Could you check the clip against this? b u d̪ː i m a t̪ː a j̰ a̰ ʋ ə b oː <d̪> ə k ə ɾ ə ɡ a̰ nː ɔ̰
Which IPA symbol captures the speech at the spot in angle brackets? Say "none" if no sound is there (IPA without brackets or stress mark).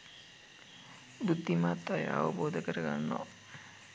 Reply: d̪